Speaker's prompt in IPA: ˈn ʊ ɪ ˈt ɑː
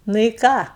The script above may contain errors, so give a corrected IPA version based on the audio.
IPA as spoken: ˈn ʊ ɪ ˈk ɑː